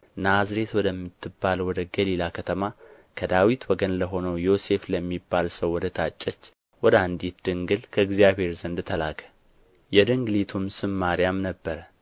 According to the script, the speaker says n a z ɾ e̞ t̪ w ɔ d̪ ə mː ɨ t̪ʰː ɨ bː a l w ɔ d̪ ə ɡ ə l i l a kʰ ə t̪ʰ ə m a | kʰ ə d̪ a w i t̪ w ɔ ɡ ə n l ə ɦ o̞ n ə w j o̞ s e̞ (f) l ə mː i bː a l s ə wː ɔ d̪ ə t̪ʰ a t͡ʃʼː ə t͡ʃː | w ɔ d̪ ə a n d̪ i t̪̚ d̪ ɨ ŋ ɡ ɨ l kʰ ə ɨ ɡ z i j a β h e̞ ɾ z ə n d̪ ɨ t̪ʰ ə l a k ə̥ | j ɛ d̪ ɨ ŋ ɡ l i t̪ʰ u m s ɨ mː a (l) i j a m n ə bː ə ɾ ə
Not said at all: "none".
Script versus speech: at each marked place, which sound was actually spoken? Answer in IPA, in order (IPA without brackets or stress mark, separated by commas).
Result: f, ɾ